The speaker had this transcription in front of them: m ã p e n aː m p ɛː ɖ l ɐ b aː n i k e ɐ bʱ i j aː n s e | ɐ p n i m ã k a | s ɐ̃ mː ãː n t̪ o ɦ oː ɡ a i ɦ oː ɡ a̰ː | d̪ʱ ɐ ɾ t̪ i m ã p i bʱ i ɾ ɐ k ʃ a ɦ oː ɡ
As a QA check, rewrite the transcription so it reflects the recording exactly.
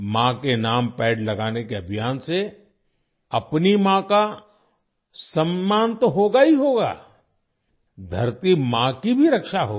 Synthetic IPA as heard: m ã k e n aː m p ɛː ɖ l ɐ ɡ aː n e k e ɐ bʱ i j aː n s e | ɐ p n i m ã k a | s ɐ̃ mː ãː n t̪ o ɦ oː ɡ a i ɦ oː ɡ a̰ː | d̪ʱ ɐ ɾ t̪ i m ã k i bʱ i ɾ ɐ k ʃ a ɦ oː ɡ